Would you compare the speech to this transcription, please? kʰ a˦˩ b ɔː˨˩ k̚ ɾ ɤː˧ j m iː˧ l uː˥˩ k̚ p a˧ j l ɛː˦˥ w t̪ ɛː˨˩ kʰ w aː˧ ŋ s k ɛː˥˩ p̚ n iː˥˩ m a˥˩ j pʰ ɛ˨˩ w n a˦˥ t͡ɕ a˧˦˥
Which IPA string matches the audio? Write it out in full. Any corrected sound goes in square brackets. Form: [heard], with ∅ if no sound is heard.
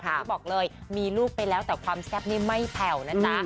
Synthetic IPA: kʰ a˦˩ b ɔː˨˩ k̚ [l] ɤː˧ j m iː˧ l uː˥˩ k̚ p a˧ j l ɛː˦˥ w t̪ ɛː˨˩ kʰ w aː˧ [m] s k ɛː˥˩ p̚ n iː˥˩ m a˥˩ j pʰ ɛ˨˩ w n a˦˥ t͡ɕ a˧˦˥